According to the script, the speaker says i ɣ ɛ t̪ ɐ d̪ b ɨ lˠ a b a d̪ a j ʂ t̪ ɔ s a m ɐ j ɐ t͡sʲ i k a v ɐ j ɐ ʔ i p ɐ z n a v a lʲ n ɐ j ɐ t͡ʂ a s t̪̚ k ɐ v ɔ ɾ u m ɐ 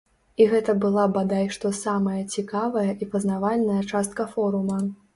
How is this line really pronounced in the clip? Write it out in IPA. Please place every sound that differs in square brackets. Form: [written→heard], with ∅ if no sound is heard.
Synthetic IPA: i ɣ ɛ t̪ ɐ [d̪→∅] b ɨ lˠ a b a d̪ a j ʂ t̪ ɔ s a m ɐ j ɐ t͡sʲ i k a v ɐ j ɐ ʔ i p ɐ z n a v a lʲ n ɐ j ɐ t͡ʂ a s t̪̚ k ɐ [v→f] ɔ ɾ u m ɐ